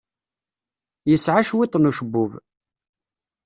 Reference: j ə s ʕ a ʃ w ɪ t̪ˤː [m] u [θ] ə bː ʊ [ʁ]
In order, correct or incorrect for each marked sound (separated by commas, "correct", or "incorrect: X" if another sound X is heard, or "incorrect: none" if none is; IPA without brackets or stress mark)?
incorrect: n, incorrect: ʃ, incorrect: v